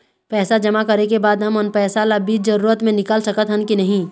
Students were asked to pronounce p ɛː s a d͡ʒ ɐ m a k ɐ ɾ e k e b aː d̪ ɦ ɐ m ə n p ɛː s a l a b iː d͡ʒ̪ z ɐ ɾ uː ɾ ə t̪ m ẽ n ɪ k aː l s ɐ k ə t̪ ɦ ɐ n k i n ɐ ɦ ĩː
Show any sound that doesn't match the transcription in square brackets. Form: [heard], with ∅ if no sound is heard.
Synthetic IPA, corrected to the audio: p ɛː s a d͡ʒ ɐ m a k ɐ ɾ e k e b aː d̪ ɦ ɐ m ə n p ɛː s a l a b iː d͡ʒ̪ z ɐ ɾ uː ɾ ə t̪ m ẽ n ɪ k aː l s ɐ k ə t̪ ɦ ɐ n k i n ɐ ɦ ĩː